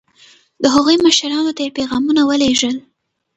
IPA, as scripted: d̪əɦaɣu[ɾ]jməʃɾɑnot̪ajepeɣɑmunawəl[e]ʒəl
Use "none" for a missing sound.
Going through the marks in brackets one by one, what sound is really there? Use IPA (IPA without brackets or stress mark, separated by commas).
none, e